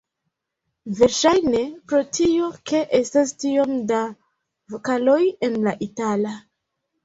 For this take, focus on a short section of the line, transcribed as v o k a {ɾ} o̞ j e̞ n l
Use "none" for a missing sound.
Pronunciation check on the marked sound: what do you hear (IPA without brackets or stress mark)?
l